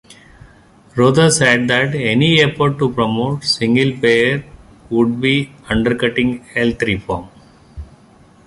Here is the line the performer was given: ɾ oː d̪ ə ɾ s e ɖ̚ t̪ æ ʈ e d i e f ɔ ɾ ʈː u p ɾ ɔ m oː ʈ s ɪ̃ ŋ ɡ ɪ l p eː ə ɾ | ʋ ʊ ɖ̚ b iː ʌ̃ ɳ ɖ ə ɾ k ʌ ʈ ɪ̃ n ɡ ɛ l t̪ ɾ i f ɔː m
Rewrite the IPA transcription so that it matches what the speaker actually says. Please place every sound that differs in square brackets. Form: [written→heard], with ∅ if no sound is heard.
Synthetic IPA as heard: ɾ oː d̪ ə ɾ s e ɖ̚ [t̪→d̪] æ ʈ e [d→n] i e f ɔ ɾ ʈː u p ɾ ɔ m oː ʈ s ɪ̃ ŋ ɡ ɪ l p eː ə ɾ | ʋ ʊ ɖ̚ b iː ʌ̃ ɳ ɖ ə ɾ k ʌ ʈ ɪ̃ [n→ŋ] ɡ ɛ l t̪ ɾ i f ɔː m